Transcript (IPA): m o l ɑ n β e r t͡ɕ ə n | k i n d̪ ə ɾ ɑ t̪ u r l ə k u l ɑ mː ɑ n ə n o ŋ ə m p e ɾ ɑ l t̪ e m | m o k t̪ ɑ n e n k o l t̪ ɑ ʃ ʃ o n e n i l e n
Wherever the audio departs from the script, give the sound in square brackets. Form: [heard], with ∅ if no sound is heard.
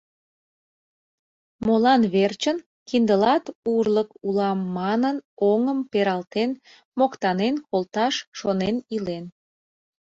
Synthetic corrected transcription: m o l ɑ n β e r t͡ɕ ə n | k i n d̪ ə [l] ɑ t̪ u r l ə k u l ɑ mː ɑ n ə n o ŋ ə m p e ɾ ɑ l t̪ e [n] | m o k t̪ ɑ n e n k o l t̪ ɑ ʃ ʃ o n e n i l e n